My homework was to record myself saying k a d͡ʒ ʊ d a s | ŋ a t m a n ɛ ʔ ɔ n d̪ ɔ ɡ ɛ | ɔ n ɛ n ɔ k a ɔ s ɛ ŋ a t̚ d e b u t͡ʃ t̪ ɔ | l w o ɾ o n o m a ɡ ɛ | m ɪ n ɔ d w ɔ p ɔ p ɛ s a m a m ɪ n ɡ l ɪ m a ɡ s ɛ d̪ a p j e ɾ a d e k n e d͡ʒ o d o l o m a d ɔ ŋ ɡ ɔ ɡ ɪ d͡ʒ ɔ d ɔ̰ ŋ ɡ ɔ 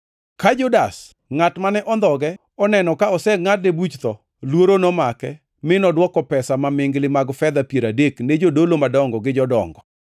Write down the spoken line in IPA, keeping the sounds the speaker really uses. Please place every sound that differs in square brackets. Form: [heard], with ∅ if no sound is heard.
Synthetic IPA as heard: k a d͡ʒ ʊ d a s | ŋ a t m a n ɛ ʔ ɔ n d̪ ɔ ɡ ɛ | ɔ n ɛ n ɔ k a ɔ s ɛ ŋ a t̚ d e b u t͡ʃ t̪ ɔ | l w o ɾ o n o m a [k] ɛ | m ɪ n ɔ d w ɔ [k] ɔ p ɛ s a m a m ɪ [ŋ] ɡ l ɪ m a ɡ [f] ɛ d̪ a p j e ɾ a d e k n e d͡ʒ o d o l o m a d ɔ ŋ ɡ ɔ ɡ ɪ d͡ʒ ɔ d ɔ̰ ŋ ɡ ɔ